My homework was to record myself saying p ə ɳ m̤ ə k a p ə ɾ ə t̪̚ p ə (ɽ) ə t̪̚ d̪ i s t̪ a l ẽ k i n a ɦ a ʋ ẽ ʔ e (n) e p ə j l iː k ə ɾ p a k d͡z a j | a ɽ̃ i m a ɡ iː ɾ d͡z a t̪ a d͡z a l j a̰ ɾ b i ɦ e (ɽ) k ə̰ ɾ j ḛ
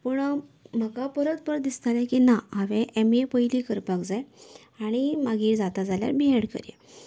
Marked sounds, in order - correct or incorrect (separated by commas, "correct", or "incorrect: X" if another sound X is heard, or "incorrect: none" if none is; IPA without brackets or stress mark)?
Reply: incorrect: ɾ, incorrect: m, correct